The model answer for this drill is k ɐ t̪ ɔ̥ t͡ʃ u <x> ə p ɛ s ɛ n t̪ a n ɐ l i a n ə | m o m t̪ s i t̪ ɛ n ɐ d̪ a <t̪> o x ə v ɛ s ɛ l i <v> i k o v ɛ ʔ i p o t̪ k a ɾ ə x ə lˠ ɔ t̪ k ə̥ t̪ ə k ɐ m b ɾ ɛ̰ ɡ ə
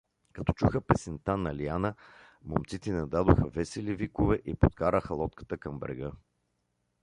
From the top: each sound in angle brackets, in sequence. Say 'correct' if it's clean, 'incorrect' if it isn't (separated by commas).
correct, incorrect, correct